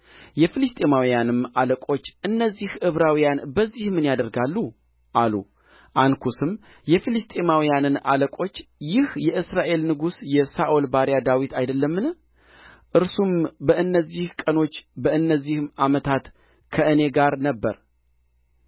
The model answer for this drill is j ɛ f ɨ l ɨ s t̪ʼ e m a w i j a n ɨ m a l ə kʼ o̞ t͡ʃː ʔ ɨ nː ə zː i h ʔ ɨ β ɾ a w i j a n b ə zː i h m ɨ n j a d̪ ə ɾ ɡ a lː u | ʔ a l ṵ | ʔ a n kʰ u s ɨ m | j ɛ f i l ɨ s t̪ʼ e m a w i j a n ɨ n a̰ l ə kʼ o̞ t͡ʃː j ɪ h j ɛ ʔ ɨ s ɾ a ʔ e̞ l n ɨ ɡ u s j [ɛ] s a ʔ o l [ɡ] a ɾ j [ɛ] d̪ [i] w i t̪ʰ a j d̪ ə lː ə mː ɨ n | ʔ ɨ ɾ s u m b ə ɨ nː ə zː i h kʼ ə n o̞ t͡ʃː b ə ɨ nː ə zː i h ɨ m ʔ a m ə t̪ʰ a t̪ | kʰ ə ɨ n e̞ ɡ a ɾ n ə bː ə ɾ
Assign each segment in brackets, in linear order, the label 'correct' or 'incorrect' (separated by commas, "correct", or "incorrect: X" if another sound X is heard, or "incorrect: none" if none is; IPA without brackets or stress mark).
correct, incorrect: b, incorrect: a, incorrect: a